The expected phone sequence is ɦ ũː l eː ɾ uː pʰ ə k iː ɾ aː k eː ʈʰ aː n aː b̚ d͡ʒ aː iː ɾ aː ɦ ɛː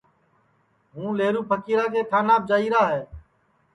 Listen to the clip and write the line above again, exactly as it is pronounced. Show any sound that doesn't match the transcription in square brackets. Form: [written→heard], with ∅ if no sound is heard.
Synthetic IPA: ɦ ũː l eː ɾ uː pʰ ə k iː ɾ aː k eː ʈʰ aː n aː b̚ d͡ʒ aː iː ɾ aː ɦ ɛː